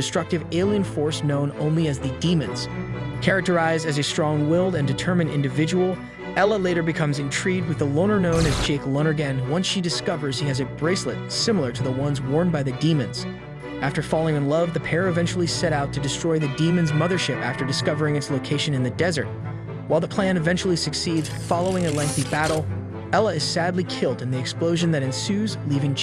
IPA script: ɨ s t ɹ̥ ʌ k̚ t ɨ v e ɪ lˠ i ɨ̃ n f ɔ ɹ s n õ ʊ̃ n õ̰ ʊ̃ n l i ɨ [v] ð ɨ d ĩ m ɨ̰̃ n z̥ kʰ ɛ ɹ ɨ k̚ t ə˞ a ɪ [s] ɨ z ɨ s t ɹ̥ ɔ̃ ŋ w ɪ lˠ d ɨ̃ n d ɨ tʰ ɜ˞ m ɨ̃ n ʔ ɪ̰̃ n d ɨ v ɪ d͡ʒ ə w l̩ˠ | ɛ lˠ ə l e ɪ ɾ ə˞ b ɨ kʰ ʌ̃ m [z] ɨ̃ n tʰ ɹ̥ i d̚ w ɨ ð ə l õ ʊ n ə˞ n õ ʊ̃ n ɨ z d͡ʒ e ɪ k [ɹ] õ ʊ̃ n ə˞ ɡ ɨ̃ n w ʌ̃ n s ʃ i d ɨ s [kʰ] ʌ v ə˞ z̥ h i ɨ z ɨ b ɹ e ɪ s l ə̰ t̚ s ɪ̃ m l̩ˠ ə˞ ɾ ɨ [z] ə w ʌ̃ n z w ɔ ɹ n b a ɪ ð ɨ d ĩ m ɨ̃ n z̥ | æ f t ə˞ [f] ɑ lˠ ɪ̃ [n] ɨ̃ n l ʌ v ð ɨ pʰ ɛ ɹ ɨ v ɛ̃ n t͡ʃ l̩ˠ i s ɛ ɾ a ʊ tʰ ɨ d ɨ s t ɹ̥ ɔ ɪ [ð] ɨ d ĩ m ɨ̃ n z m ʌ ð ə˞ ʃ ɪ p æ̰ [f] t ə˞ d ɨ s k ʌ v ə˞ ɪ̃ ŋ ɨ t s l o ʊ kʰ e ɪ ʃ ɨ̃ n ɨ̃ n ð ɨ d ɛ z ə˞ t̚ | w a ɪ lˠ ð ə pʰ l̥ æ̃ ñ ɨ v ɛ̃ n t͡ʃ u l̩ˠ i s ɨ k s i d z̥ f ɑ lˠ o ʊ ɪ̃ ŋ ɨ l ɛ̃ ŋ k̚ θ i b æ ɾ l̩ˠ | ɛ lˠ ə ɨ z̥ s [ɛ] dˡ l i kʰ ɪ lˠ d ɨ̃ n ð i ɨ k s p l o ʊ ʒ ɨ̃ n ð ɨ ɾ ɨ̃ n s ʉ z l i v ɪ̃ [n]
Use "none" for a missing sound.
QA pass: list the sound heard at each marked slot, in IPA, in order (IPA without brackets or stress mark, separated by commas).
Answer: z, z, z, l, k, ð, f, ŋ, ð, f, æ, ŋ